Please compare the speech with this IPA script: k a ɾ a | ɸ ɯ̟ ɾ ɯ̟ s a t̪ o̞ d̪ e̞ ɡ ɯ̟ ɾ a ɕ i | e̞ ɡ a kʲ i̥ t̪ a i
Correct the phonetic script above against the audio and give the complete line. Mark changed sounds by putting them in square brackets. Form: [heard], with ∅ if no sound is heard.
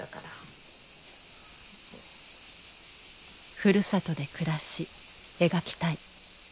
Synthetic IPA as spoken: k a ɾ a | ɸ ɯ̟ ɾ ɯ̟ s a t̪ o̞ d̪ e̞ [k] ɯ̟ ɾ a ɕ i | e̞ ɡ a kʲ i̥ t̪ a i